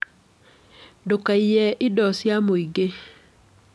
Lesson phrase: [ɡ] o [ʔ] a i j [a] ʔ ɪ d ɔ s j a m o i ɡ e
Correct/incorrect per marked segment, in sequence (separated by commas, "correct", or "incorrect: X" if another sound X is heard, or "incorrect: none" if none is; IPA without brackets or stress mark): incorrect: d, incorrect: k, incorrect: ɛ